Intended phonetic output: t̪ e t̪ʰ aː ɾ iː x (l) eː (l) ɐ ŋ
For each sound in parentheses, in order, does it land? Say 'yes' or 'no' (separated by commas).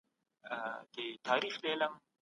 yes, yes